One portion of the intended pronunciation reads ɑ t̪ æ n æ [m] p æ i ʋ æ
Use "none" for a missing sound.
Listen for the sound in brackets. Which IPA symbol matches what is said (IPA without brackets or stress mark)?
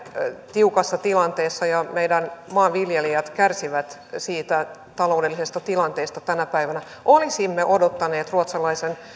none